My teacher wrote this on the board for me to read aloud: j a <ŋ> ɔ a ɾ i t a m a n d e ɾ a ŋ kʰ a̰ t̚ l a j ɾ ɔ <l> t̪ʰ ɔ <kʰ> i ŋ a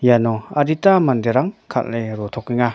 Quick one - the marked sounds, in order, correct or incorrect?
incorrect, incorrect, incorrect

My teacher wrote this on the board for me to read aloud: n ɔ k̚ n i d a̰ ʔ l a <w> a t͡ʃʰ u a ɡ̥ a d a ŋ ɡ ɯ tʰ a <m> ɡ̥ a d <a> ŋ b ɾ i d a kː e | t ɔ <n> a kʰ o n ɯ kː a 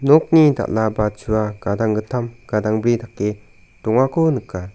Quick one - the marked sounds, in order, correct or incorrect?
incorrect, correct, correct, incorrect

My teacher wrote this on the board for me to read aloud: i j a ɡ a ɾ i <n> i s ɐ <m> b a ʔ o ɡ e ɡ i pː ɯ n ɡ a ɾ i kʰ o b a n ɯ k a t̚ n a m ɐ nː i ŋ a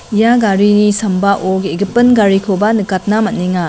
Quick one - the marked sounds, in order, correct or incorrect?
correct, correct

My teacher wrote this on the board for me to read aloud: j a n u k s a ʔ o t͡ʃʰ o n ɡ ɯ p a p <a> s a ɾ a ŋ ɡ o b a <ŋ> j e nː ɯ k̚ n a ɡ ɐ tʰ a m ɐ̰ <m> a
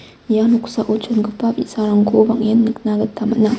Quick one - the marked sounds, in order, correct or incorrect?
incorrect, correct, incorrect

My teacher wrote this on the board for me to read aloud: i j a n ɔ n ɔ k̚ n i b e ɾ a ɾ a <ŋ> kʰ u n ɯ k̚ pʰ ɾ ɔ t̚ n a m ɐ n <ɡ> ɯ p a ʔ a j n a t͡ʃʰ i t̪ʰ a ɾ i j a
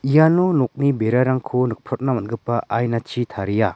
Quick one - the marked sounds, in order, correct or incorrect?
correct, correct

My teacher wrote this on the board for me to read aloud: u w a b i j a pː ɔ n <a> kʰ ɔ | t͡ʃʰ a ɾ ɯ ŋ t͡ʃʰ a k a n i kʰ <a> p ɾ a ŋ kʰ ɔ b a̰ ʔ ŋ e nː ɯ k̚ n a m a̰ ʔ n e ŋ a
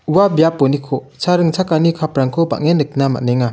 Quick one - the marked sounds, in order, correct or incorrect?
incorrect, correct

